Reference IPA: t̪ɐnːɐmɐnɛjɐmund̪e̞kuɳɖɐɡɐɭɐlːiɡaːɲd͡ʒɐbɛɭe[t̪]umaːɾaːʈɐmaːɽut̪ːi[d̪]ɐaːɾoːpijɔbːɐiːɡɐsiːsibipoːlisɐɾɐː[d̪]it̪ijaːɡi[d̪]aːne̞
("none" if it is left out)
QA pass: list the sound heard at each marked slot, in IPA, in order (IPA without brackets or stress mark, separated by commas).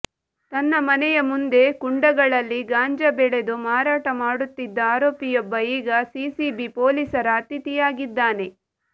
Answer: d̪, d̪ː, t̪, d̪ː